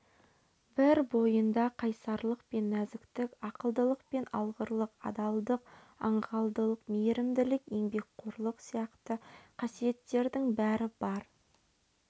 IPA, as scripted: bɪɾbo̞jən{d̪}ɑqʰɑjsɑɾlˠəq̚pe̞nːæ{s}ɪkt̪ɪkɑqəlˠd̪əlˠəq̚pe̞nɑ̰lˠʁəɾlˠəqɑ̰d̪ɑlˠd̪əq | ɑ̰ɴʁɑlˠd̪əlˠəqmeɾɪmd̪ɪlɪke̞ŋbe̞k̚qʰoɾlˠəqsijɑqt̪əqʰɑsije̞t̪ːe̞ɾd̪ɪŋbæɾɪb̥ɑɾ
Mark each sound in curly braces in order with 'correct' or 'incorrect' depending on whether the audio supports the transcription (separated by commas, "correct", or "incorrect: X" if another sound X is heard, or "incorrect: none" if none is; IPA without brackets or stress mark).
correct, incorrect: z